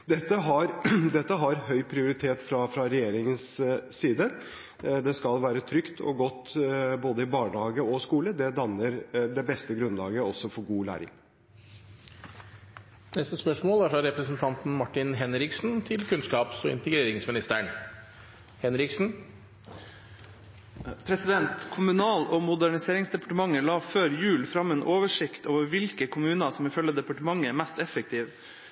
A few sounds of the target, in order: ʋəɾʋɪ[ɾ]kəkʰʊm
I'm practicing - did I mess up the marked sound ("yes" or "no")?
yes